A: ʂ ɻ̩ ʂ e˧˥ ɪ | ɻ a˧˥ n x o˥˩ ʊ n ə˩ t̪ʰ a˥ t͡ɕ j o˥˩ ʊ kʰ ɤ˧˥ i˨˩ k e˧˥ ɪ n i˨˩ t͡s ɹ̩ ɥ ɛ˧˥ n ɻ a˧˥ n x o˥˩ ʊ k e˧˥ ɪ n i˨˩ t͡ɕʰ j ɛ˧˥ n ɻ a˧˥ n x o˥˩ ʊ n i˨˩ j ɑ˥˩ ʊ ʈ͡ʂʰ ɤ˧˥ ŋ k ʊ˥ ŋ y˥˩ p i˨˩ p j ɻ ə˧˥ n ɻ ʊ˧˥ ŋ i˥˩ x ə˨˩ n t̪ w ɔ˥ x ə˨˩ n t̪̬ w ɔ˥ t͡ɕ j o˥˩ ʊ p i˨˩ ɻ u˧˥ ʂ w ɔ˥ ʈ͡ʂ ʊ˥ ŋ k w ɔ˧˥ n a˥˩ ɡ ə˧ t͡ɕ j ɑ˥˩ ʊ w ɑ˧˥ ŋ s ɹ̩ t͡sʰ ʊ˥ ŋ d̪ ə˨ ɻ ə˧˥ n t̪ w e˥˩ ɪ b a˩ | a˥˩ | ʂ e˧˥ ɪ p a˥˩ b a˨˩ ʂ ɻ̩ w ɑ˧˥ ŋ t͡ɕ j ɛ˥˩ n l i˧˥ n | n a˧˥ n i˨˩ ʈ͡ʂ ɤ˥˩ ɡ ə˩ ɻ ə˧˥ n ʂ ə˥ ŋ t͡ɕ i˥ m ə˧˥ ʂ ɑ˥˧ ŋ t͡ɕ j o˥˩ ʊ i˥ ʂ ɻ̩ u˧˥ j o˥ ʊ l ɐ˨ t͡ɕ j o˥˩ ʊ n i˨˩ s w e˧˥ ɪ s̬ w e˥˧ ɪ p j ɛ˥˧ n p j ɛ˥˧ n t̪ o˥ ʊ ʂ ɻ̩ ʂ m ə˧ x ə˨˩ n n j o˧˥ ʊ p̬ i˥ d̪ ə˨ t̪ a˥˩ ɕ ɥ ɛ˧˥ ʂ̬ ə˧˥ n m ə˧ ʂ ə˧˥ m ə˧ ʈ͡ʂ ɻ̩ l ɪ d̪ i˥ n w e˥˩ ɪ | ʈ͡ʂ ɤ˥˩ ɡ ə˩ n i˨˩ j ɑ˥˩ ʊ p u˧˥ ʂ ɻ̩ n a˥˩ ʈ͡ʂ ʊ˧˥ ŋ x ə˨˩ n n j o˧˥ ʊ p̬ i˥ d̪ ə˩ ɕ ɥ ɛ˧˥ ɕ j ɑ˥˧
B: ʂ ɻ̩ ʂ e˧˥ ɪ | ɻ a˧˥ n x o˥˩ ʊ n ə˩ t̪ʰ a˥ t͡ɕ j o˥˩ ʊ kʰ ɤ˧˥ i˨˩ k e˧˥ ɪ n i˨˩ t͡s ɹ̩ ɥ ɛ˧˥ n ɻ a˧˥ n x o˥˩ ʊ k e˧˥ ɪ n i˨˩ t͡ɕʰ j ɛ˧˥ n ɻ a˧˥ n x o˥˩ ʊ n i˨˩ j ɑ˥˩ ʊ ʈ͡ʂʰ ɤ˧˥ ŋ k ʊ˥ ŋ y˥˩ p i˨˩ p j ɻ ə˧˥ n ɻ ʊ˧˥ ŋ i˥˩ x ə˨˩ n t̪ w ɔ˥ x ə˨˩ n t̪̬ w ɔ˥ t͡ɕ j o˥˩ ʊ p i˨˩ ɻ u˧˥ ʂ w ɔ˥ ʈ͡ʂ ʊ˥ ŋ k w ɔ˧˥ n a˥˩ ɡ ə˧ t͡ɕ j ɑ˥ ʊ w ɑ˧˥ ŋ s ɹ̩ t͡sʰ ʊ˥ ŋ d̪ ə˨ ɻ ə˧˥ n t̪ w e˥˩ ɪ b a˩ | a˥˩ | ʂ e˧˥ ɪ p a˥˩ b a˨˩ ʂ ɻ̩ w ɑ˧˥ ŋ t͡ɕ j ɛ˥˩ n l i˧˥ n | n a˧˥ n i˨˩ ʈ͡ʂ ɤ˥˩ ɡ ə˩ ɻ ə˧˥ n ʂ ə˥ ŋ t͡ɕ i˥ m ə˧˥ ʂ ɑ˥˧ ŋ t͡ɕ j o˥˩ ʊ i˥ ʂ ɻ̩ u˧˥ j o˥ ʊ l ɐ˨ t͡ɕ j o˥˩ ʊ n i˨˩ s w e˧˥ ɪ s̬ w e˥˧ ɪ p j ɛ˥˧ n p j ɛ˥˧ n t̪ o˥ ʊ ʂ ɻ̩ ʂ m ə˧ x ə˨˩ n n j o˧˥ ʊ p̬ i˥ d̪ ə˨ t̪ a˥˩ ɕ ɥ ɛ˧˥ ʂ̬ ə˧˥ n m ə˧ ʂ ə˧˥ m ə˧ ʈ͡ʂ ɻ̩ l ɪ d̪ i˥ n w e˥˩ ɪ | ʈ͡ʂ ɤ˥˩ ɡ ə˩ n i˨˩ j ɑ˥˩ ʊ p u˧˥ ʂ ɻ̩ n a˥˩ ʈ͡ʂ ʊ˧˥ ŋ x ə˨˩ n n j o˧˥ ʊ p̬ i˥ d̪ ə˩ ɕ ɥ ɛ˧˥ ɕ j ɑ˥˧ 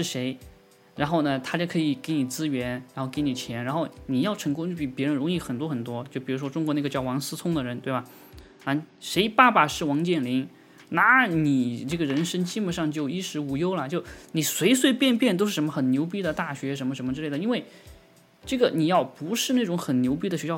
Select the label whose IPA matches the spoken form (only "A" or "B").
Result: A